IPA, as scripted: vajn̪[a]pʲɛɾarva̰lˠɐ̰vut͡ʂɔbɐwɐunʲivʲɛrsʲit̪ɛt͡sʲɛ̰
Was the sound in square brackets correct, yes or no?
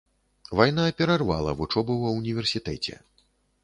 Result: yes